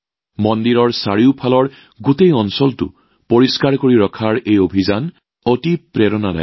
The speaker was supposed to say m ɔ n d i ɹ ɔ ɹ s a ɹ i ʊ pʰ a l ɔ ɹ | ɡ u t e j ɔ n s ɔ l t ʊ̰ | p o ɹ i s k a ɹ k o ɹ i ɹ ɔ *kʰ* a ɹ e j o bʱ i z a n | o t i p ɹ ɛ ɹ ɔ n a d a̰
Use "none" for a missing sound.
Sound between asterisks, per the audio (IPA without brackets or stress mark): kʰ